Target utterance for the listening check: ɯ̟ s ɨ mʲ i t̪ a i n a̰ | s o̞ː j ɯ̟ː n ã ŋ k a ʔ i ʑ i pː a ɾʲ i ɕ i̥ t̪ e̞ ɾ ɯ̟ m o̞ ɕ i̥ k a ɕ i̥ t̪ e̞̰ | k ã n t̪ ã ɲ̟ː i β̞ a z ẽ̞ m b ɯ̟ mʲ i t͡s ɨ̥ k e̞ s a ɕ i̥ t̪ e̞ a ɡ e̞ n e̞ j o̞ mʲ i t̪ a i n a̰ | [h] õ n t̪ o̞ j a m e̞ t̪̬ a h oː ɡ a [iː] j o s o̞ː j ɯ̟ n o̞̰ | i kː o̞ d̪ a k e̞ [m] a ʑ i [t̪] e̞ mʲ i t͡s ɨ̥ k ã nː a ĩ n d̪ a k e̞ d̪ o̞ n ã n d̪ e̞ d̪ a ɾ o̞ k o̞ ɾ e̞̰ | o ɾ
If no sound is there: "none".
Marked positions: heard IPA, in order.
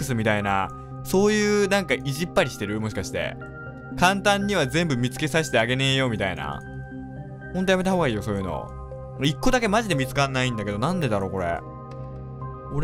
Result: h, iː, m, d̪

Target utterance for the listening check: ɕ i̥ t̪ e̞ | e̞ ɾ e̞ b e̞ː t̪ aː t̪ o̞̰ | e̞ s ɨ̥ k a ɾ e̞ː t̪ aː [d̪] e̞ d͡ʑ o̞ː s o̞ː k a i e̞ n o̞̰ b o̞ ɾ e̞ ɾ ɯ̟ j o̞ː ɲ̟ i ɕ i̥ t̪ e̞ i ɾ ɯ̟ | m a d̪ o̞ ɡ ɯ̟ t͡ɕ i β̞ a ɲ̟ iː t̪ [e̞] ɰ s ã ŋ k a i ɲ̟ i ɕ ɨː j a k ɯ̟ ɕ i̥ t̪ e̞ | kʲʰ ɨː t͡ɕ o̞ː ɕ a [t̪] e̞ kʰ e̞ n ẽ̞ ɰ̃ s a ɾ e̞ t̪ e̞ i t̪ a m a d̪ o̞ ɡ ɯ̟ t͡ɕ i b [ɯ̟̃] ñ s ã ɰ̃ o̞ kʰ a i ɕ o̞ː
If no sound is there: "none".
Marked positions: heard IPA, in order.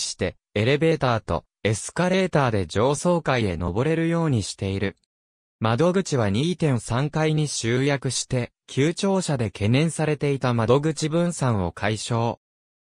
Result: d̪, ẽ̞, d̪, ɯ̟̃

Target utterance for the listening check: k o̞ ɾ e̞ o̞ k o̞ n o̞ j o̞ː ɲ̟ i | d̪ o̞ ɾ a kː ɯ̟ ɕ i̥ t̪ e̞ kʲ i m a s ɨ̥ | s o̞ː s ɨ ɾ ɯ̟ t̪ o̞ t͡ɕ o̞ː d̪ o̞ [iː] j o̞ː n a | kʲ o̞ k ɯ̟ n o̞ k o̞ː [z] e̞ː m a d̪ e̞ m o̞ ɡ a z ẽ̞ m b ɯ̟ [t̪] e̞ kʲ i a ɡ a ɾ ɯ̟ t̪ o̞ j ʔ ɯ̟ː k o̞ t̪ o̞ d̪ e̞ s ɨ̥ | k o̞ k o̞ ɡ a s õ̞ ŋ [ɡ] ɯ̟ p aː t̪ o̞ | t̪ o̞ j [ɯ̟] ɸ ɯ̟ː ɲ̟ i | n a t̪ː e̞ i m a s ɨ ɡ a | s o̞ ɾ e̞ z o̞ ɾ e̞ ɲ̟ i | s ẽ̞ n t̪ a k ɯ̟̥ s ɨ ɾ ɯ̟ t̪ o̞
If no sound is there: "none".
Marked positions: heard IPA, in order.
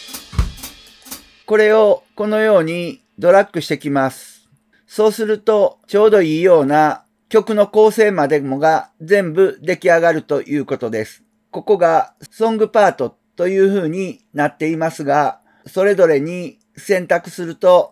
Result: iː, s, d̪, ɡ, ɯ̟ː

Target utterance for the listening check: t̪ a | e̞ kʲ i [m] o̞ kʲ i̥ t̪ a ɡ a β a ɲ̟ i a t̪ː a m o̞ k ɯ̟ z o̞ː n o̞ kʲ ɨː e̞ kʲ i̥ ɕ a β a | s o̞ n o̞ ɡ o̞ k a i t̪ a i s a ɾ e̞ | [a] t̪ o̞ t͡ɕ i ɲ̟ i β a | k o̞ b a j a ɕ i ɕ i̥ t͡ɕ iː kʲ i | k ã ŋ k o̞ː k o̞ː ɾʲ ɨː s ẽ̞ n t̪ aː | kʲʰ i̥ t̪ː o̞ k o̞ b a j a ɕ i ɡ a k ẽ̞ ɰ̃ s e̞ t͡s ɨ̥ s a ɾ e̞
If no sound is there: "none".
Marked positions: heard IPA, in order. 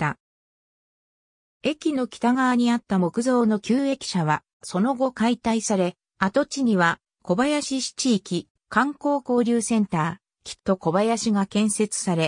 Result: n, a

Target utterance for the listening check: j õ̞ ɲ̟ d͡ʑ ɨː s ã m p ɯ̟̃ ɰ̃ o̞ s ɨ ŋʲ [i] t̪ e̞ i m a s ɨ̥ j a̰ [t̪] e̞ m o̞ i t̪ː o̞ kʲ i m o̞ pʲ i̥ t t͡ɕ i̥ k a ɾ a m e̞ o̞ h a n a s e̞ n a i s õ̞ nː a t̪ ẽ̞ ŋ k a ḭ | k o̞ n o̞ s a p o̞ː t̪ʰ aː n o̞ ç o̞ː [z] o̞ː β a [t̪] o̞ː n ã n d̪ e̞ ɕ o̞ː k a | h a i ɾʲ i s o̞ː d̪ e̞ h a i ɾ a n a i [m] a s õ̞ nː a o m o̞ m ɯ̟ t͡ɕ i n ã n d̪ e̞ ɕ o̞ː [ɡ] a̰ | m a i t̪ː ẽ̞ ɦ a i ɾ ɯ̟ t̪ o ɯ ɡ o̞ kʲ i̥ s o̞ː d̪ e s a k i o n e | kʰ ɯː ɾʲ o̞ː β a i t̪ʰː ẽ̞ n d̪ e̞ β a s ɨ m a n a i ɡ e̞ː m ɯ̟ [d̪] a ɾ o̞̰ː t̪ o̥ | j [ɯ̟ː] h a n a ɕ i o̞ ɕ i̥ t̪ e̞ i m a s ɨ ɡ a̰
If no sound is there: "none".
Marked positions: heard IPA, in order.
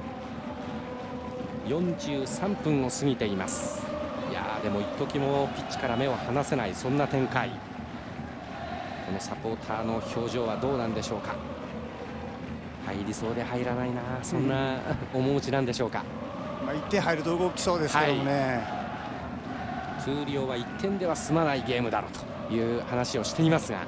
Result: i, d̪, ʑ, d̪, n, k, d̪, ɯ̟ː

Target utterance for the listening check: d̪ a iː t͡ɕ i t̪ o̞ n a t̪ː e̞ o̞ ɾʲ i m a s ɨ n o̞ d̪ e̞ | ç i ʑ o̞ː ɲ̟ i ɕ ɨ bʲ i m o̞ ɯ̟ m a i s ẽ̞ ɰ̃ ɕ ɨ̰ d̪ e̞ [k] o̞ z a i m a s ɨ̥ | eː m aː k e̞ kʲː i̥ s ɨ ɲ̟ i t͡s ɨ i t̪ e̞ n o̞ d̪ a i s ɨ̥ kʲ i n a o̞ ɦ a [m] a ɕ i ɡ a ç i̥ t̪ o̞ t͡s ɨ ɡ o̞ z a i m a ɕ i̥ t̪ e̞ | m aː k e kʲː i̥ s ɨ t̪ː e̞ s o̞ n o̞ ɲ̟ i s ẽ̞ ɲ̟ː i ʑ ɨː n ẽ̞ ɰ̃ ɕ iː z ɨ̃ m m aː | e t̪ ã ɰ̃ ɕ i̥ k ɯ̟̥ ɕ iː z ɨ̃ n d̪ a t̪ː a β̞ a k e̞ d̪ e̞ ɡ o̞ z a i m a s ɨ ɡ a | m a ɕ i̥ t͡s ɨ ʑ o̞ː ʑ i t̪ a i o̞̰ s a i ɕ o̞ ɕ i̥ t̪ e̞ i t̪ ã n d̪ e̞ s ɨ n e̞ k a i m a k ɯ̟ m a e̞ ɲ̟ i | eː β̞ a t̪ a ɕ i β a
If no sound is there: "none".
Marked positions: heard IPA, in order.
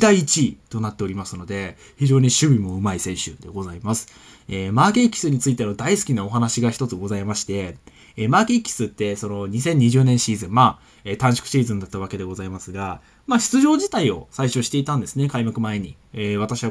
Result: ɡ, n

